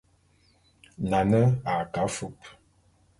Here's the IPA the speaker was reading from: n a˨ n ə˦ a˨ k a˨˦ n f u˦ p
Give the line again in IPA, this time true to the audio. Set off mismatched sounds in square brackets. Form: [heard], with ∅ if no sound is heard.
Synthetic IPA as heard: n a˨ n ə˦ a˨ k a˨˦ [∅] f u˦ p